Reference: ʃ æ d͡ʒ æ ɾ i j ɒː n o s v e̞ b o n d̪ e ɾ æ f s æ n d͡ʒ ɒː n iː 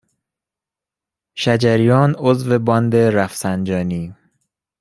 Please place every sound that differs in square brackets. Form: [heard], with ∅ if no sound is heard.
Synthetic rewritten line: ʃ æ d͡ʒ æ ɾ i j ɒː n o [z] v e̞ b [ɒ] n d̪ e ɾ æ f s æ n d͡ʒ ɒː n iː